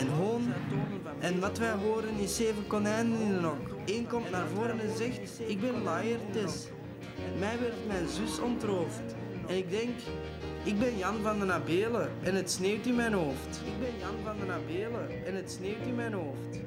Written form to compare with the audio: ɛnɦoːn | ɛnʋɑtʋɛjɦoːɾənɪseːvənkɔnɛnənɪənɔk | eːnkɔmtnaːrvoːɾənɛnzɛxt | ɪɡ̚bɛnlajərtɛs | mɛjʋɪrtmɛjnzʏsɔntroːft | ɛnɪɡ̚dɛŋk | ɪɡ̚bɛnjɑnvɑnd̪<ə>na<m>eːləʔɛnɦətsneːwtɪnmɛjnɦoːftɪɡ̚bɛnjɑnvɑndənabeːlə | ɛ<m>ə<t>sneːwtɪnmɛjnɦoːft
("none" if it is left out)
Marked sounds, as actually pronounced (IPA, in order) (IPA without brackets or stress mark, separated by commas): ə, b, n, t